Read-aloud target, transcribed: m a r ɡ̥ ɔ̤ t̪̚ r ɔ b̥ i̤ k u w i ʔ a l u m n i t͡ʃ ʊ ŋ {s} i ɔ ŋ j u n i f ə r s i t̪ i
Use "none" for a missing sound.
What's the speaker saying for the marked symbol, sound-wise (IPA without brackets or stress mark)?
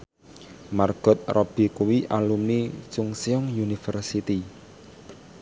s